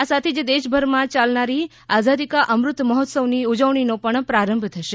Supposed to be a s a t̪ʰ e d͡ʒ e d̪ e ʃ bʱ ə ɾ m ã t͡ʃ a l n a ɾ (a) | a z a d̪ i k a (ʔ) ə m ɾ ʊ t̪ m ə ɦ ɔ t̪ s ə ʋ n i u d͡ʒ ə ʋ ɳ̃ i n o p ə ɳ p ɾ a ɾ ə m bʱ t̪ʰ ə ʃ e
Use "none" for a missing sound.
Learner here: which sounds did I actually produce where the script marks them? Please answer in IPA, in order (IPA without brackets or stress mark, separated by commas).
i, ʔ